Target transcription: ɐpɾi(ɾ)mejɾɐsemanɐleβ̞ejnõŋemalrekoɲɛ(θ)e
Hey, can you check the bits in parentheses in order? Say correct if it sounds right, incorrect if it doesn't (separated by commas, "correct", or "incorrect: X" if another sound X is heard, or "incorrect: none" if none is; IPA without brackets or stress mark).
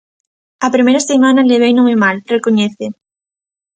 incorrect: none, correct